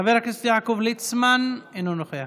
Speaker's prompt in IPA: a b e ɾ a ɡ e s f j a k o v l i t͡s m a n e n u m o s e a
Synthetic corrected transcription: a v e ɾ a k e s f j a k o v l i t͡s m a n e n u n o χ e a